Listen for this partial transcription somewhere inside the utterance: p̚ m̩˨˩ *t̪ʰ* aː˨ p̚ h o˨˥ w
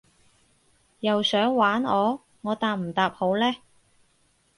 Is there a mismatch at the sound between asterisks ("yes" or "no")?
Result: yes